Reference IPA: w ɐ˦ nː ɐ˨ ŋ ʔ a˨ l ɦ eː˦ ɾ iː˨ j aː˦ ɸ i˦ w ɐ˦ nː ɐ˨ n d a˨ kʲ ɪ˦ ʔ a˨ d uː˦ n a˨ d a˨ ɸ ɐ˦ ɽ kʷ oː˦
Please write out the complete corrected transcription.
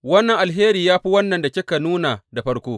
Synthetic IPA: w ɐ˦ nː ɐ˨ ŋ ʔ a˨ l ɦ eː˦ ɾ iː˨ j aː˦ ɸ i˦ w ɐ˦ nː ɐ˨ n d a˨ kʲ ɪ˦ k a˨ n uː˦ n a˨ d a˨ ɸ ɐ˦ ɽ kʷ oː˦